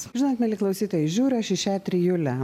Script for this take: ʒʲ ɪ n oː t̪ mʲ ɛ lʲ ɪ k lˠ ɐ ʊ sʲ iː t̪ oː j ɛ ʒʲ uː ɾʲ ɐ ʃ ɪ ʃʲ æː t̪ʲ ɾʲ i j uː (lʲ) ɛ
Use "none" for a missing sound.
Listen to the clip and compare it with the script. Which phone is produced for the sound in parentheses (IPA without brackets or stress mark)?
lʲ